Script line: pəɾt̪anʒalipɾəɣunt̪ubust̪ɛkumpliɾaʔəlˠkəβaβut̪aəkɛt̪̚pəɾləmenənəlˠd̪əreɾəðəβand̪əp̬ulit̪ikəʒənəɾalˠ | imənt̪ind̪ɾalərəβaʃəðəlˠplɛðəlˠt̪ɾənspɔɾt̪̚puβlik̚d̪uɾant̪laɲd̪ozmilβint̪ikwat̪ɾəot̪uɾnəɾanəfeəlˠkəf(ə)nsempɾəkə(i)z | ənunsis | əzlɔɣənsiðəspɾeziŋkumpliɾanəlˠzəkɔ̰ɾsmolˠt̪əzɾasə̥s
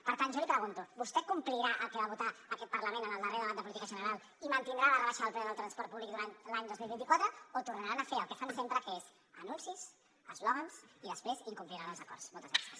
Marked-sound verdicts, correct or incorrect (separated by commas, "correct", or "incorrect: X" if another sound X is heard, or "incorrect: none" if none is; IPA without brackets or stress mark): incorrect: a, incorrect: e